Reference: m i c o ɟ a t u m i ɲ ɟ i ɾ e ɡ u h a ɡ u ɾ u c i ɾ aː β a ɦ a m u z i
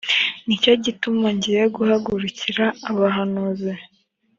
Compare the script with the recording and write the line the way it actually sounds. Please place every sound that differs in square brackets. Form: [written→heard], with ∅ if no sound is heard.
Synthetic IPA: [m→n] i c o ɟ [a→i] t u m [i→a] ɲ ɟ i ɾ e ɡ u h a ɡ u ɾ u c i ɾ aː β a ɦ a [m→n] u z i